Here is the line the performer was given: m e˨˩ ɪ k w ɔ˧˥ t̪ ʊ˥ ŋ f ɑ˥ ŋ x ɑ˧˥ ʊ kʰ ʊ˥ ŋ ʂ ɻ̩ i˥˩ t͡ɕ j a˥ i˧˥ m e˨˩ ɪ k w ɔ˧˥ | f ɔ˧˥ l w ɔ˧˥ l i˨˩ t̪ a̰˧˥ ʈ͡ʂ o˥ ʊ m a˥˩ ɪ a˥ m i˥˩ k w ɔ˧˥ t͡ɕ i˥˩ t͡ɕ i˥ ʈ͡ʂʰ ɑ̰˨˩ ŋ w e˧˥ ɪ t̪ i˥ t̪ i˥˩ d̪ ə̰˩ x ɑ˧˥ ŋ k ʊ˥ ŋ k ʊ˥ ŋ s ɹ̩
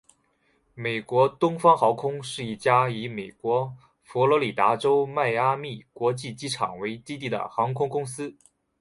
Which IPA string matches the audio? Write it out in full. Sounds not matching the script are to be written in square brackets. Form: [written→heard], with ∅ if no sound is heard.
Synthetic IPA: m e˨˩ ɪ k w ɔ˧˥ t̪ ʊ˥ ŋ f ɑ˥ ŋ x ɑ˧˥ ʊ kʰ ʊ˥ ŋ ʂ ɻ̩ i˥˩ t͡ɕ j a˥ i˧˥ m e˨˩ ɪ k w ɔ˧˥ | f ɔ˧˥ l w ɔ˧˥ l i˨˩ t̪ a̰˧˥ ʈ͡ʂ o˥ ʊ m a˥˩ ɪ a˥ m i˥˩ k w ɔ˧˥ t͡ɕ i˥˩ t͡ɕ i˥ ʈ͡ʂʰ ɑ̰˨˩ ŋ w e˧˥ ɪ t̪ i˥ t̪ i˥˩ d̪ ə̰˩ x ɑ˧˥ ŋ [k→kʰ] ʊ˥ ŋ k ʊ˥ ŋ s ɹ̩